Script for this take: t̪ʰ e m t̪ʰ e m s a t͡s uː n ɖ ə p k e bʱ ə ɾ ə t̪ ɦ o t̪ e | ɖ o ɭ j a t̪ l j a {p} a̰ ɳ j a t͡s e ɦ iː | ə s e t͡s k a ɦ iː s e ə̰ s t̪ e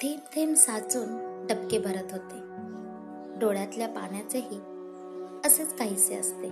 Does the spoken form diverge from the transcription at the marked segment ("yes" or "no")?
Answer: no